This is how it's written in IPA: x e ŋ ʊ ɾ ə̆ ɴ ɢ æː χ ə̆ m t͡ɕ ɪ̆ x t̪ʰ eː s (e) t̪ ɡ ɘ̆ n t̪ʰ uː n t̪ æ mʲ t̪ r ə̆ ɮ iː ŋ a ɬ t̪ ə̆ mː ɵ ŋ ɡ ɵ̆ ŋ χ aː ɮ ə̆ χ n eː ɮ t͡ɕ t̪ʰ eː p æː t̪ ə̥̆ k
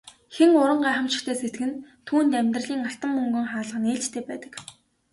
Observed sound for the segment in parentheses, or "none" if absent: e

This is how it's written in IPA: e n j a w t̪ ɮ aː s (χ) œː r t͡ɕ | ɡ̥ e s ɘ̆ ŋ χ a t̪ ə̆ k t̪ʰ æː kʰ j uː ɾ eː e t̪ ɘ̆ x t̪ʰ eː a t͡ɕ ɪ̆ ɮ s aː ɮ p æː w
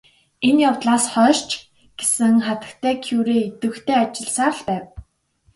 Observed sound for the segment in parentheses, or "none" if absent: χ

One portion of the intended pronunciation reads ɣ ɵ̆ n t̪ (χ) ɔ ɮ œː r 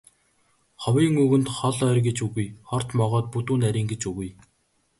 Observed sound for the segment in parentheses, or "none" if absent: χ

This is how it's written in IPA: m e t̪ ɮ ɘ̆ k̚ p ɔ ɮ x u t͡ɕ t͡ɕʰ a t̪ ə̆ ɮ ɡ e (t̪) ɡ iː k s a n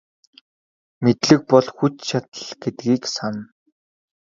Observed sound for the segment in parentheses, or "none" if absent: t̪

